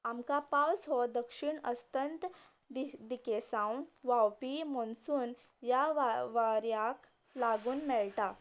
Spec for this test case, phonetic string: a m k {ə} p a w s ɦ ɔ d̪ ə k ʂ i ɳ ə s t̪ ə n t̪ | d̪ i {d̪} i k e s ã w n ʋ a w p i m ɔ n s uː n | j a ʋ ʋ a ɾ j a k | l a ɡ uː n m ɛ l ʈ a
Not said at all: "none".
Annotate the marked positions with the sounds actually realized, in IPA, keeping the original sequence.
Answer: a, d̪

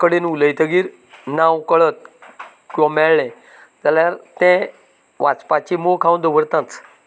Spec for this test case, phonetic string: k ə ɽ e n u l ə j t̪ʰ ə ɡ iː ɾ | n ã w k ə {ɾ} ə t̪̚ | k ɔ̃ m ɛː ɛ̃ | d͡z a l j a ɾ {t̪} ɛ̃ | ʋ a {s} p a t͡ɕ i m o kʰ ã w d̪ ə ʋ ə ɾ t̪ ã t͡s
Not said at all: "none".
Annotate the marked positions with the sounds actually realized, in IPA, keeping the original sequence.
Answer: ɭ, t̪, t͡s

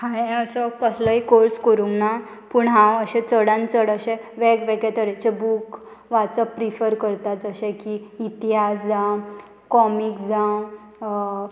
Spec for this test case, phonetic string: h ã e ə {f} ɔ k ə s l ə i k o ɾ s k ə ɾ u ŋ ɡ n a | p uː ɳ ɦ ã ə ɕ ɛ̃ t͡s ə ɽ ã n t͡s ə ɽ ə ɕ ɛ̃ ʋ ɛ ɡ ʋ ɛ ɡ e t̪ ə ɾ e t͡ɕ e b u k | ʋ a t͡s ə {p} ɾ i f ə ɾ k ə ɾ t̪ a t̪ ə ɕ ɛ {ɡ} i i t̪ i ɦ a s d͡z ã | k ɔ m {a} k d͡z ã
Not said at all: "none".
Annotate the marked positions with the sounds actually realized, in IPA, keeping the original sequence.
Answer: s, p, k, i

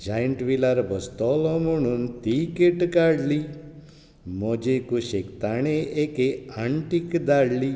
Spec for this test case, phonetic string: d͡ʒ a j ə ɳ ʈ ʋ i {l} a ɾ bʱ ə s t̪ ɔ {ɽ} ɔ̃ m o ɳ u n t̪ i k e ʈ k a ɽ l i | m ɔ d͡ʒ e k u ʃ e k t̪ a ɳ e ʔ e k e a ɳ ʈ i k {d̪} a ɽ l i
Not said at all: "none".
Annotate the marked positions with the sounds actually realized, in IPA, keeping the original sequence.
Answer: l, l, d̪

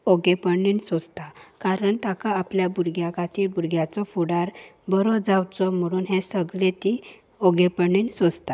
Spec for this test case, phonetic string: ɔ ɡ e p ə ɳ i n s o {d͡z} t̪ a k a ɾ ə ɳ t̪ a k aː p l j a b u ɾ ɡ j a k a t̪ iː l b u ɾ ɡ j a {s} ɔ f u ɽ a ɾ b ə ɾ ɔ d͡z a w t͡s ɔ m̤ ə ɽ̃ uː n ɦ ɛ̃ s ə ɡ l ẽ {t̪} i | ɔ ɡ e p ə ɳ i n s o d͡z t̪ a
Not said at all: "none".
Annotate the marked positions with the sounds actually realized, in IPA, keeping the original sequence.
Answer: d͡z, t͡s, t̪

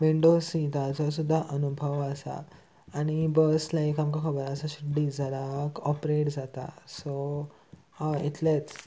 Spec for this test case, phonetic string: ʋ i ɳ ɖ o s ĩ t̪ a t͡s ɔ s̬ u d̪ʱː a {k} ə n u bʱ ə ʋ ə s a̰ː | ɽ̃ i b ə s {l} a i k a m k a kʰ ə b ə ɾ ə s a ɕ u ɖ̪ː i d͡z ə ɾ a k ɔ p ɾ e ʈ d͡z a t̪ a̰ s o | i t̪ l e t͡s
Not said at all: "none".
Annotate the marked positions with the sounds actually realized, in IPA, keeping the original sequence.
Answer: ʔ, l

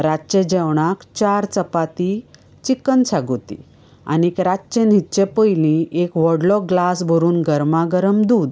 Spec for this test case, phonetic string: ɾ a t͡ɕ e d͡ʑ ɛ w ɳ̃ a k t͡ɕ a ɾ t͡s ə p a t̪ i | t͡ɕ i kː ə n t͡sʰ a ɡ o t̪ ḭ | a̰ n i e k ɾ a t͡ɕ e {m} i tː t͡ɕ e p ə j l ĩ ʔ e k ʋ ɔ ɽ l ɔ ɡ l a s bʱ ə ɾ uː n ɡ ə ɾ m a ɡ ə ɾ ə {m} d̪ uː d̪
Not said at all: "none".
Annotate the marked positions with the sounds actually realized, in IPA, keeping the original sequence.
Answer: n, m

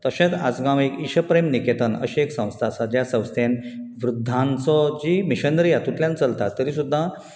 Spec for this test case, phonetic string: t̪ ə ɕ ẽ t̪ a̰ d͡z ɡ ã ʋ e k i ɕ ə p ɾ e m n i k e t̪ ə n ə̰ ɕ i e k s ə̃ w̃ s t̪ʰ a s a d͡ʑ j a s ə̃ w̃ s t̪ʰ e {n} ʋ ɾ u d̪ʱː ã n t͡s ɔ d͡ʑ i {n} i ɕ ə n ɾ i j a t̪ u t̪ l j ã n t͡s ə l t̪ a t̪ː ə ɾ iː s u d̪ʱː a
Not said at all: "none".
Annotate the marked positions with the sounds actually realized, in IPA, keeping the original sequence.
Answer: n, m

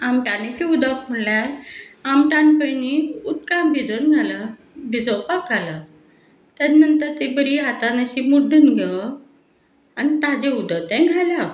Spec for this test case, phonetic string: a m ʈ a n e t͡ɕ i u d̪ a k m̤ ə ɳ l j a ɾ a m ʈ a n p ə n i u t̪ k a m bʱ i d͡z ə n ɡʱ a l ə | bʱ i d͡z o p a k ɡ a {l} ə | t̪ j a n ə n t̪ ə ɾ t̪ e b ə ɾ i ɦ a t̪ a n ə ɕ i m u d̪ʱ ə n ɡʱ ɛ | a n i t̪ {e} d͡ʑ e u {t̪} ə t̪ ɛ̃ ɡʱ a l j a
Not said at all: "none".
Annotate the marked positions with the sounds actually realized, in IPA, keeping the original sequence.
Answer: l, a, d̪

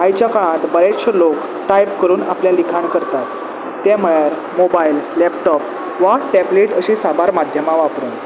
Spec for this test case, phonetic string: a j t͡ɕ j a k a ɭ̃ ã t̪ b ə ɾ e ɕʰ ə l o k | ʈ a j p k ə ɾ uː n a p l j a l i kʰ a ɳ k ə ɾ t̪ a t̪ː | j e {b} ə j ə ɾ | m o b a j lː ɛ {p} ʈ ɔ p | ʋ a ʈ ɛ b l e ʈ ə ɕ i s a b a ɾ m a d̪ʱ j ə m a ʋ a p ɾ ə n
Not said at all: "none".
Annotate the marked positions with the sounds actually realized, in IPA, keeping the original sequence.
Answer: m, p

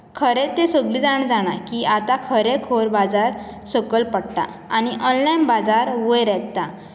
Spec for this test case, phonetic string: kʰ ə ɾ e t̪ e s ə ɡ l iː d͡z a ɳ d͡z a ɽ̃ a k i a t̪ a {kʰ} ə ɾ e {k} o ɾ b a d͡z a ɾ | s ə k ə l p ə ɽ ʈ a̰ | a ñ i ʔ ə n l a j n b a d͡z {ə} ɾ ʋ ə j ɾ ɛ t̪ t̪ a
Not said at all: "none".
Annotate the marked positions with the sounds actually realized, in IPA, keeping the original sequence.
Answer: kʰ, kʰ, a

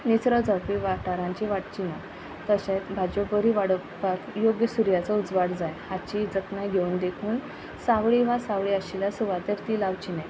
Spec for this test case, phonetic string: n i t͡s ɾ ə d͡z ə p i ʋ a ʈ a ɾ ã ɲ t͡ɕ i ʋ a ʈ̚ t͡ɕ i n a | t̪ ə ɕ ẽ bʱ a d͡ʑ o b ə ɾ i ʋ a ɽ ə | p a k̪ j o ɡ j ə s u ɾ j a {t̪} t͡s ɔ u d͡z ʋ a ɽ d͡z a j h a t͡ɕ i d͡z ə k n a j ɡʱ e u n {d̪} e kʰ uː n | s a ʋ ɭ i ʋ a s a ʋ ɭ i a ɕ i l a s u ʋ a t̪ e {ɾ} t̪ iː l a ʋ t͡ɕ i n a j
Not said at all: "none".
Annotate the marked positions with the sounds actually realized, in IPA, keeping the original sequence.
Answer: none, d̪, ɾ

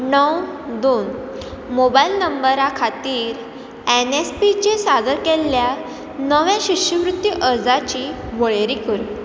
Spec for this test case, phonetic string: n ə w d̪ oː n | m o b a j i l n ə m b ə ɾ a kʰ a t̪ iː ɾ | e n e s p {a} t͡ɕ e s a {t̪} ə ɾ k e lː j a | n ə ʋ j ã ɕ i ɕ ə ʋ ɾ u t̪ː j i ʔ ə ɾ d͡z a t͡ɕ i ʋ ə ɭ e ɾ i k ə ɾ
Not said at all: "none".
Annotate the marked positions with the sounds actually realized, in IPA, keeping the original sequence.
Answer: i, d̪

